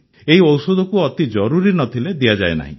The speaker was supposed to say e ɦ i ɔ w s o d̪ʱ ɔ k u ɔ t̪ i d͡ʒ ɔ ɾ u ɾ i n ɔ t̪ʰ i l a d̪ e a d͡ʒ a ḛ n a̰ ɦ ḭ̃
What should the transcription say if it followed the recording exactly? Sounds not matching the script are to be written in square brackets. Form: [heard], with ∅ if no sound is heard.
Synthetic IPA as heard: e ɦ i ɔ w s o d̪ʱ ɔ k u ɔ t̪ i d͡ʒ ɔ ɾ u ɾ i n ɔ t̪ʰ i l [e] d̪ [i] a d͡ʒ a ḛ n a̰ ɦ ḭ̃